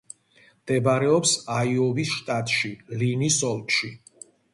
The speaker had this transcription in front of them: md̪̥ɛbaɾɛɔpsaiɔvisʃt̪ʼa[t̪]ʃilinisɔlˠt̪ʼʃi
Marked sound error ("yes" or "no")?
yes